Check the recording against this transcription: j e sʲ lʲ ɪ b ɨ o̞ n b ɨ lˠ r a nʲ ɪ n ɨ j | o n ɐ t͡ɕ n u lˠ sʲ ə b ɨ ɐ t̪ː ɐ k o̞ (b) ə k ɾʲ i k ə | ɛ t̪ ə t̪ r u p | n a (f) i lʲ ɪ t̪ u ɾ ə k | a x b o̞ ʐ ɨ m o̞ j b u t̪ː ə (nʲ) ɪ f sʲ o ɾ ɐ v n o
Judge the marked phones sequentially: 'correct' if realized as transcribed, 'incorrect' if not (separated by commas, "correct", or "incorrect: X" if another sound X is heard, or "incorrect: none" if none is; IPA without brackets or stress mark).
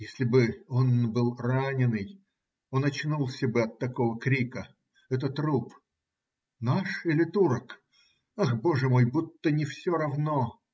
incorrect: v, incorrect: ʂ, correct